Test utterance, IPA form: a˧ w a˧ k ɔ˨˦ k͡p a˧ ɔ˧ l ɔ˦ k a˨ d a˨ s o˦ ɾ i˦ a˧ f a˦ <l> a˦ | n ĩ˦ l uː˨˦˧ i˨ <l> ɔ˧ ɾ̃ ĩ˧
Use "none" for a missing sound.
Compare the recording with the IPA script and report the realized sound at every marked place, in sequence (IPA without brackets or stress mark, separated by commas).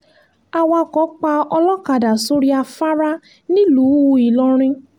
ɾ, l